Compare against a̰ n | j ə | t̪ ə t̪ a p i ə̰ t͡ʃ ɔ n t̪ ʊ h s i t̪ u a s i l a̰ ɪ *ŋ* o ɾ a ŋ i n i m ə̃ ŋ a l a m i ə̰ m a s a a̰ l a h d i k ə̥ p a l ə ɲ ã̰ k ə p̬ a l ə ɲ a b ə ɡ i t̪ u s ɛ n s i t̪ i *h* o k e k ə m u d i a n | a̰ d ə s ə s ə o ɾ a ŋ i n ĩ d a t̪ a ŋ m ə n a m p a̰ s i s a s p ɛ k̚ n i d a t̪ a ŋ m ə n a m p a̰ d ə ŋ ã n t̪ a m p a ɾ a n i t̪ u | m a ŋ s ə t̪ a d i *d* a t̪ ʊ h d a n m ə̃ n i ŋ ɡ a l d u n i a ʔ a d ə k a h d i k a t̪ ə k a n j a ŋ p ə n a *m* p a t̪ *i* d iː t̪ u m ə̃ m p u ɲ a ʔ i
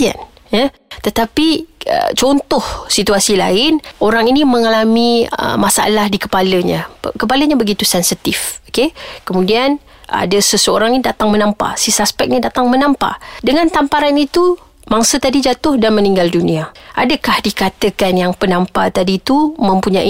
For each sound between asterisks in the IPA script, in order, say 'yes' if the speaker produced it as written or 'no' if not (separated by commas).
no, no, no, yes, no